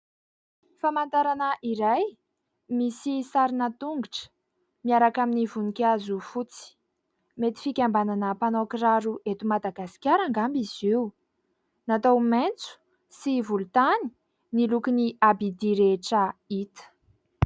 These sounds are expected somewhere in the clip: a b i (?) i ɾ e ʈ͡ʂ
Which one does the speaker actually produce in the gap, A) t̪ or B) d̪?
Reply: B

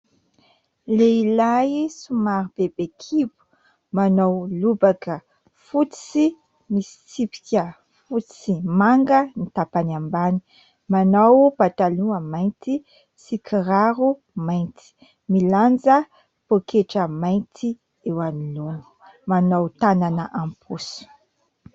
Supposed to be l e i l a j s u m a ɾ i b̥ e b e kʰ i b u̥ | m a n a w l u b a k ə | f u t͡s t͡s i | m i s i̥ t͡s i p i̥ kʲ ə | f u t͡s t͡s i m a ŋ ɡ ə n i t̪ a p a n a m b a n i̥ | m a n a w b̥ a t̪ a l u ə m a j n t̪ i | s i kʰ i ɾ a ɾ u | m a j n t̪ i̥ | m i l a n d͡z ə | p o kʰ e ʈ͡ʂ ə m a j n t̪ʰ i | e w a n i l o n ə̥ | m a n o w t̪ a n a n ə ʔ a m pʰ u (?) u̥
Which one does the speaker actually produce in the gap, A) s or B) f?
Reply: A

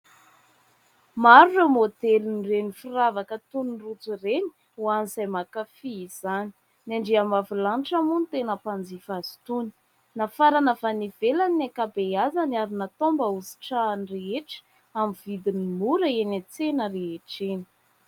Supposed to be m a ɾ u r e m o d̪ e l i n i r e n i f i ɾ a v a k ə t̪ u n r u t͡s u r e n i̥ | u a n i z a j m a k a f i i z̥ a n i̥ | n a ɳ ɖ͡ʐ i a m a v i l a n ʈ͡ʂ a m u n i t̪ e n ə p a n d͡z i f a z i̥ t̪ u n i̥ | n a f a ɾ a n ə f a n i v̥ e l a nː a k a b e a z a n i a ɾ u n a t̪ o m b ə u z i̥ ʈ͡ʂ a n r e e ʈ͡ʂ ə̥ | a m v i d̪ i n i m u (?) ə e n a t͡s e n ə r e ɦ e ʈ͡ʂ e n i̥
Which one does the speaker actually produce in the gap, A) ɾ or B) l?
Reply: A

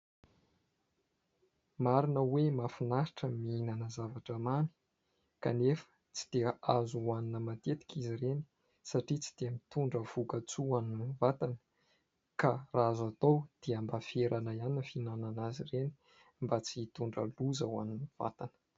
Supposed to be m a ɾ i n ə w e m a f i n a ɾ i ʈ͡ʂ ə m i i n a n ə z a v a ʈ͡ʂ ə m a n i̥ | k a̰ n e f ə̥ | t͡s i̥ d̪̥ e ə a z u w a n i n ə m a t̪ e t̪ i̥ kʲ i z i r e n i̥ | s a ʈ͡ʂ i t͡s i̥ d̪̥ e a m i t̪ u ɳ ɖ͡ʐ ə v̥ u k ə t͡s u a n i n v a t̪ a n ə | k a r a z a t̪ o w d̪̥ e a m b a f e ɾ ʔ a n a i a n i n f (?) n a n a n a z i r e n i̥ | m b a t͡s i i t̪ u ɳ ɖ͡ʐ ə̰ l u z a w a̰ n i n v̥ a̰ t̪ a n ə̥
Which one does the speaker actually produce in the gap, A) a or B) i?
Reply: B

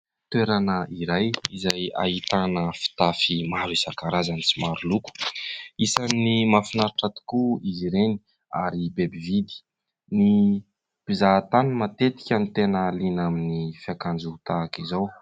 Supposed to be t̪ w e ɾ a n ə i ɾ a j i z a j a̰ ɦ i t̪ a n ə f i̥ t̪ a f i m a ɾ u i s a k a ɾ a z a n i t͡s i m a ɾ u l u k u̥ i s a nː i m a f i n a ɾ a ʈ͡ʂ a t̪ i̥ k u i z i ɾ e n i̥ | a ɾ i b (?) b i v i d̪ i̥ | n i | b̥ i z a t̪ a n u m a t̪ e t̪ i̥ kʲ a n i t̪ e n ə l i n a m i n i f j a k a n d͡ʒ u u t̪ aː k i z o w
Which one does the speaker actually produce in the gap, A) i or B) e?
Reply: B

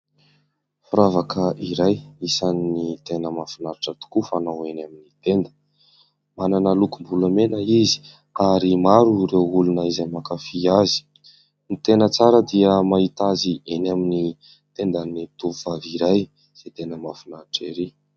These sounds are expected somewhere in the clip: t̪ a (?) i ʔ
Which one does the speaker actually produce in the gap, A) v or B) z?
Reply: B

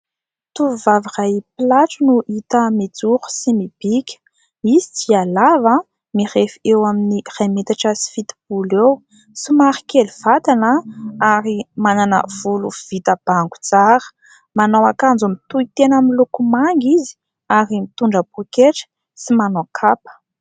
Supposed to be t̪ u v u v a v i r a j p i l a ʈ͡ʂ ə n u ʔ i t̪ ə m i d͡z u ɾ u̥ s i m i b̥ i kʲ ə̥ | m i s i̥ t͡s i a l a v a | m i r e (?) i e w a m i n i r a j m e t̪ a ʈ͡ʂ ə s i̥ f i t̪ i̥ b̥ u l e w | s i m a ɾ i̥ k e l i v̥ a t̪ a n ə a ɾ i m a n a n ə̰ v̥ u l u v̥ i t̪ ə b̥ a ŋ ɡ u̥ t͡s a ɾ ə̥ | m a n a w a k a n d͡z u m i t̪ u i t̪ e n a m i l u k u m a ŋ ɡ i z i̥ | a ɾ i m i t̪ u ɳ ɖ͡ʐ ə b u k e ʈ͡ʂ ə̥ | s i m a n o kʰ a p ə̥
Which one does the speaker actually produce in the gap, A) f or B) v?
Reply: A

